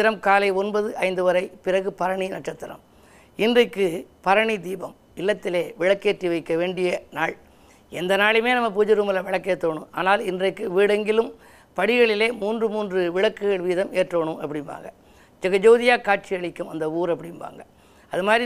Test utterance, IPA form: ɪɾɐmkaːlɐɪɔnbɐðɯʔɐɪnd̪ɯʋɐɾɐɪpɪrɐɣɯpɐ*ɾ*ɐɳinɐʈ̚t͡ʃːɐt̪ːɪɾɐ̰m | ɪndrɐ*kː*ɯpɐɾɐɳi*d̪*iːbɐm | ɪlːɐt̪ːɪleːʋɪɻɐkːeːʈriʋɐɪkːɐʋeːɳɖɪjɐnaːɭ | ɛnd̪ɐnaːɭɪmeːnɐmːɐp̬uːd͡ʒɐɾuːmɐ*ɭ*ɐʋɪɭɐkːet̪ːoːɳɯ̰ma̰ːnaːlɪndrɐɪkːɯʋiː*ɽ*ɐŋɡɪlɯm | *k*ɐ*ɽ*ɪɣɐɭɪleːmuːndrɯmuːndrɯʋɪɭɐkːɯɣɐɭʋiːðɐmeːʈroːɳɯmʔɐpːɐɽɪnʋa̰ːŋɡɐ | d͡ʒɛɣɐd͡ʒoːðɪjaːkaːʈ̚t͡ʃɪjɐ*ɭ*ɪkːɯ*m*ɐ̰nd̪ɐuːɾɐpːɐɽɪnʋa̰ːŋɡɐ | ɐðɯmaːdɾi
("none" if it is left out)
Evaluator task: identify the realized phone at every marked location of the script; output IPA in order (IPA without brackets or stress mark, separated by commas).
ɾ, kː, d̪, l, ɽ, p, ɽ, ɭ, m